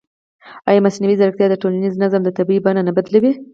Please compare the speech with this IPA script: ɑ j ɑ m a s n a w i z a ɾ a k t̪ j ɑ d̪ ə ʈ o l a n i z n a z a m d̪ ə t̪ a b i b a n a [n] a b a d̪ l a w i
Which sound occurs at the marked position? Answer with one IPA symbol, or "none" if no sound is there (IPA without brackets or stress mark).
n